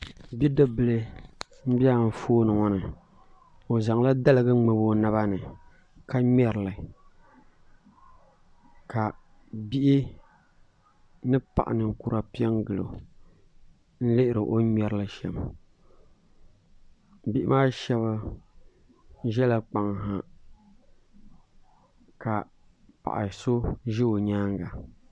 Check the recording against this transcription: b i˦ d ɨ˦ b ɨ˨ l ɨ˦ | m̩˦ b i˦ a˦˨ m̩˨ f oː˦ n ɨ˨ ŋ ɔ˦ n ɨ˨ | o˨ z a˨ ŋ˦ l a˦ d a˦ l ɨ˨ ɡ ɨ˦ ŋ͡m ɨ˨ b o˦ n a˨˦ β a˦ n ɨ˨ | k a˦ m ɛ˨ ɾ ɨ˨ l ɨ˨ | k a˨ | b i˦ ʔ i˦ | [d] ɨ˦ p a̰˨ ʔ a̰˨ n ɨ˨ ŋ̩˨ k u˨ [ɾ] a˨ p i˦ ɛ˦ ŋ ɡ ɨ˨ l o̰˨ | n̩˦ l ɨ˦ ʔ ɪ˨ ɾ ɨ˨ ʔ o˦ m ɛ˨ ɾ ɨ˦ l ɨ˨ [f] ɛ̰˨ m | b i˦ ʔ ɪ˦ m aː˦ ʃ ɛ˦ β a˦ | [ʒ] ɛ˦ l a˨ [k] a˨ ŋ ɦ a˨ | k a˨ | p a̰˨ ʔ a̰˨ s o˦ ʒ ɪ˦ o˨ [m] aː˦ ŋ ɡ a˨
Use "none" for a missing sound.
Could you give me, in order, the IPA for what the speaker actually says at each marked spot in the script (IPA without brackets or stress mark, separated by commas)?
n, ɾ, ʃ, ʒ, k͡p, ɲ